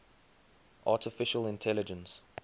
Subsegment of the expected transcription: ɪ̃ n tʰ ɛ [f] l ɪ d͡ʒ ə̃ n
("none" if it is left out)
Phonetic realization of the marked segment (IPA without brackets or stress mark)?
none